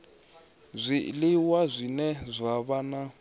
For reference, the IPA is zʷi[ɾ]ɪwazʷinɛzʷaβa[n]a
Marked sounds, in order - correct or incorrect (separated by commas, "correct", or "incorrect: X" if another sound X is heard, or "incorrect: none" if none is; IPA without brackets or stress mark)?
incorrect: l, correct